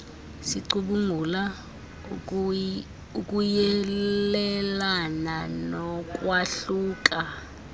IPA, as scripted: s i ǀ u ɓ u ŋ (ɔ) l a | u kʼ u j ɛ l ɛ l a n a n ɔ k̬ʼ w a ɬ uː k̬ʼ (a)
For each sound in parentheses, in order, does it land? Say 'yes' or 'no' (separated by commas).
no, yes